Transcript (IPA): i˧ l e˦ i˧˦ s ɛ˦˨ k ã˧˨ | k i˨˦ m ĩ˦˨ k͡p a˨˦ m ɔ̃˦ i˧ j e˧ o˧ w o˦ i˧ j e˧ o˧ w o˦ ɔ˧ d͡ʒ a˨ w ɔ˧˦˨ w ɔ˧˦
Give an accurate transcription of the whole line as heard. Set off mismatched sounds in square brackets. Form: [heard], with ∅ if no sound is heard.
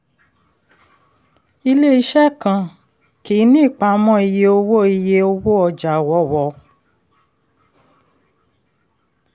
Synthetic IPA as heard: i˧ l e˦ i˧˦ [ʃ] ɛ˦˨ k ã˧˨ | k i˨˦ [n] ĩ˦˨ k͡p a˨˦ m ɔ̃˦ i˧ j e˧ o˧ w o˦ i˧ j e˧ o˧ w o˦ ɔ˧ d͡ʒ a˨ w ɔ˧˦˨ w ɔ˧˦